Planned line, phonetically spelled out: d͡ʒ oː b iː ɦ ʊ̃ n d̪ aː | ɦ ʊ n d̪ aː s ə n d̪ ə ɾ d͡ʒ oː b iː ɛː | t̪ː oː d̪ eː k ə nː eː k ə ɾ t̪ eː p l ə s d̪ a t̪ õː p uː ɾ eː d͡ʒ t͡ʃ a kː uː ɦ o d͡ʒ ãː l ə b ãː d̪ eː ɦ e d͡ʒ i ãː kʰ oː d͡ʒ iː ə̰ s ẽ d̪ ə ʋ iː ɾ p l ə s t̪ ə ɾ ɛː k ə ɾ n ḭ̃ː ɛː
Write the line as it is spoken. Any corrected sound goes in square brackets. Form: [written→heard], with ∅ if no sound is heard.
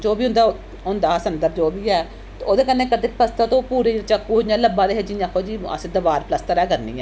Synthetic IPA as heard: d͡ʒ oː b iː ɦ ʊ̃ n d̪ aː | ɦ ʊ n d̪ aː s ə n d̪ ə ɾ d͡ʒ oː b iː ɛː | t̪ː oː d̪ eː k ə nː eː k ə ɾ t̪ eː p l ə s [d̪→t̪] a t̪ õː p uː ɾ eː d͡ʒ t͡ʃ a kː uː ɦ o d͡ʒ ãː l ə b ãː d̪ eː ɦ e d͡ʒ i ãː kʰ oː d͡ʒ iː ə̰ s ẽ d̪ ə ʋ [iː→aː] ɾ p l ə s t̪ ə ɾ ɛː k ə ɾ n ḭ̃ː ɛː